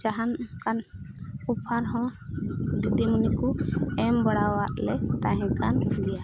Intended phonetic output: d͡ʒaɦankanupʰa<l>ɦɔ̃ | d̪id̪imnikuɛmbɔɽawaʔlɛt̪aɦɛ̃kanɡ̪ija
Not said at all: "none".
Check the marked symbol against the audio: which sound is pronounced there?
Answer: ɾ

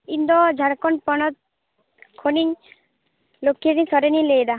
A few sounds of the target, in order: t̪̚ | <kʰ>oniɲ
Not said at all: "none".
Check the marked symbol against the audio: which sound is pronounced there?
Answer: kʰ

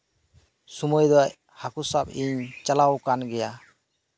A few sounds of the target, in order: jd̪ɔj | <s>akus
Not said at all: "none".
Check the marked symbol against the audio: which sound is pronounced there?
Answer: h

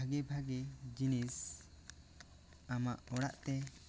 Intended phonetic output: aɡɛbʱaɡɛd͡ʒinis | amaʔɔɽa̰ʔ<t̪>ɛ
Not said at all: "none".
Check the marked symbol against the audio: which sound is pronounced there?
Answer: t̪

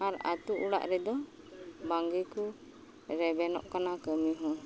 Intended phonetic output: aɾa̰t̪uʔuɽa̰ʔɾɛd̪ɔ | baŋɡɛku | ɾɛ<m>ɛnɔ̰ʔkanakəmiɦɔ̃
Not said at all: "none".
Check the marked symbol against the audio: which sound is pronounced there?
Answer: b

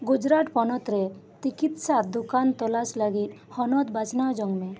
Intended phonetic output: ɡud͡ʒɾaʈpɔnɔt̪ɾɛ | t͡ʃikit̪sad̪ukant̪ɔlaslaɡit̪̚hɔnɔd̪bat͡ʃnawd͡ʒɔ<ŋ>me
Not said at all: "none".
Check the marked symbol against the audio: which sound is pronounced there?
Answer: ŋ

